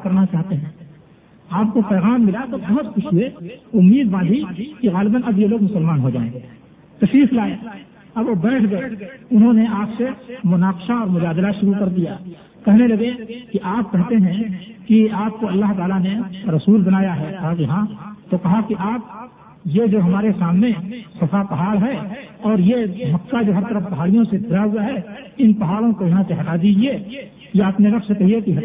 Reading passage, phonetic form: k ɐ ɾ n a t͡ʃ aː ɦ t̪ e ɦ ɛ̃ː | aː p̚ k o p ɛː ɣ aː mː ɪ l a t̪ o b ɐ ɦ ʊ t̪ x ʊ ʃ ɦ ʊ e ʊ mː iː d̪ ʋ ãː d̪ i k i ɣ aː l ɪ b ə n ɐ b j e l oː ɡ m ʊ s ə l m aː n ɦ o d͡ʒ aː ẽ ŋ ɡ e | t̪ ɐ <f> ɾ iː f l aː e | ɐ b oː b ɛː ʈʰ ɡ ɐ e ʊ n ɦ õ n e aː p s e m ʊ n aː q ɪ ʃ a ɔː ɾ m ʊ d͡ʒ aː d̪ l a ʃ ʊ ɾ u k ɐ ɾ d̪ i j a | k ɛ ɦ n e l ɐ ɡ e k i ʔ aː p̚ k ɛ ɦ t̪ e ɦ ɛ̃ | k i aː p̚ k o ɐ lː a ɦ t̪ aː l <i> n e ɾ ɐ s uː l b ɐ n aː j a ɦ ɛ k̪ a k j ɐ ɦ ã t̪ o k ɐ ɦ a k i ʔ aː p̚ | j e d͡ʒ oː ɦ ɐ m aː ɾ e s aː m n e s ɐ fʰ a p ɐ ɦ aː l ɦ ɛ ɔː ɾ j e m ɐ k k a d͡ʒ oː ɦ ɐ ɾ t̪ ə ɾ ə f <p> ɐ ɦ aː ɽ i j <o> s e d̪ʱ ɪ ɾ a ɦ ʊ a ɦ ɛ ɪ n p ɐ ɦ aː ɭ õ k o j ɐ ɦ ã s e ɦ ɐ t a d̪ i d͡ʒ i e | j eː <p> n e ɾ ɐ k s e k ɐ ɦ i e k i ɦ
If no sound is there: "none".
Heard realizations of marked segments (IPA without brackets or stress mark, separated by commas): ʃ, a, p, õ, p